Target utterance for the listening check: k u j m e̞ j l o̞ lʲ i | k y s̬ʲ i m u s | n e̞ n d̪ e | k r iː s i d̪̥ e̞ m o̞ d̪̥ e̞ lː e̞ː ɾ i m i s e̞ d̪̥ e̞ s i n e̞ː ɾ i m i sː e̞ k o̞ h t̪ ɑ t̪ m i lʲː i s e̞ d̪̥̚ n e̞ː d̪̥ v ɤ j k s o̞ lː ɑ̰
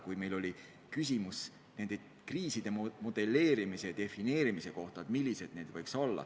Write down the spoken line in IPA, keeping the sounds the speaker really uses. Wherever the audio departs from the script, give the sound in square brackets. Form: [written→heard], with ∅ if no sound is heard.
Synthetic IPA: k u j m e̞ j l o̞ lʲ i | k y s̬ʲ i m u s | n e̞ n d̪ e | k r iː s i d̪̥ e̞ m o̞ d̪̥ e̞ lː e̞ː ɾ i m i s e̞ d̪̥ e̞ [s→f] i n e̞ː ɾ i m i [sː→s] e̞ k o̞ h t̪ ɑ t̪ m i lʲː i s e̞ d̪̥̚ n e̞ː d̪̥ v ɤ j k s o̞ lː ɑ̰